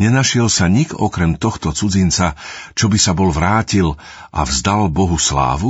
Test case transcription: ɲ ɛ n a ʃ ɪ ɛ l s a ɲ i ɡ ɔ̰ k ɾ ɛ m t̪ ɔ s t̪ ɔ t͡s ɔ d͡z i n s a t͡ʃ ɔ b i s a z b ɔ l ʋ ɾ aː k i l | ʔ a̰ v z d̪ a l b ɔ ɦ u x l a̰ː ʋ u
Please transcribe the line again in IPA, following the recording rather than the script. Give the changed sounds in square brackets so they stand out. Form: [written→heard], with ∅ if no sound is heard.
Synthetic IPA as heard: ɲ ɛ n a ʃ ɪ ɛ l s a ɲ i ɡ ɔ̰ k ɾ ɛ m t̪ ɔ [s→x] t̪ ɔ t͡s [ɔ→u] d͡z i n [s→t͡s] a t͡ʃ ɔ b i s a [z→∅] b ɔ l ʋ ɾ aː [k→c] i l | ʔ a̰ v z d̪ a l b ɔ ɦ u [x→s] l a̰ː ʋ u